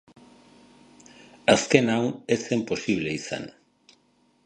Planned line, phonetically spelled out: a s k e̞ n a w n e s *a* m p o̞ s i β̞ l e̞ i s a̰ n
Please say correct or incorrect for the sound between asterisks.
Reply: incorrect